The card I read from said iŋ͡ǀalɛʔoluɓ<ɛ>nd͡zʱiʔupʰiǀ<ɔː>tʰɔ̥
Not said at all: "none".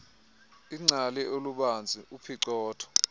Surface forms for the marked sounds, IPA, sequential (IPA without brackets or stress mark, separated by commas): a, ɔː